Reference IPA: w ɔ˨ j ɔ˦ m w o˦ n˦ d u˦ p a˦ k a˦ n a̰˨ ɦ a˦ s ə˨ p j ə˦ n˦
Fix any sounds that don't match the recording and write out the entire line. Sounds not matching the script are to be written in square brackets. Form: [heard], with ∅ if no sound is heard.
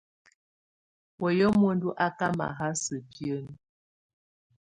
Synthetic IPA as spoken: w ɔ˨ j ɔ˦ m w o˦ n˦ d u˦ [ʔ] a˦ k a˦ [m] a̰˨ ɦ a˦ s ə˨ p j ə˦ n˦